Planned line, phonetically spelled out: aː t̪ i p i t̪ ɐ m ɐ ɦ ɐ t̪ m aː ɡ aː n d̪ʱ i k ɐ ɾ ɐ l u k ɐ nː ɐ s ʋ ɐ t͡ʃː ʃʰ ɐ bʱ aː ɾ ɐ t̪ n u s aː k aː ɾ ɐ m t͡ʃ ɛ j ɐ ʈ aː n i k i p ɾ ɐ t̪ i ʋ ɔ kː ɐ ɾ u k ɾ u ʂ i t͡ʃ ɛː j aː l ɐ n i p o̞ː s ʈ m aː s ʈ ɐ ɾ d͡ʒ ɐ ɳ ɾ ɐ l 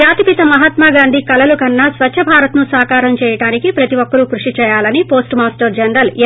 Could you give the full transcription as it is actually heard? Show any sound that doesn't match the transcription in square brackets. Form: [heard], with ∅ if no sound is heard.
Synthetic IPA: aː t̪ i p i t̪ ɐ m ɐ ɦ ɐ t̪ m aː ɡ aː n d̪ʱ i k ɐ [l] ɐ l u k ɐ nː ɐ s ʋ ɐ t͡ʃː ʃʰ ɐ bʱ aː ɾ ɐ t̪ n u s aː k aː ɾ ɐ m t͡ʃ [ɛː] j ɐ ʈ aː n i k i p ɾ ɐ t̪ i ʋ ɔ kː ɐ ɾ u k ɾ u ʂ i t͡ʃ ɛː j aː l ɐ n i p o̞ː s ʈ m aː s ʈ ɐ ɾ d͡ʒ ɐ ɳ ɾ ɐ l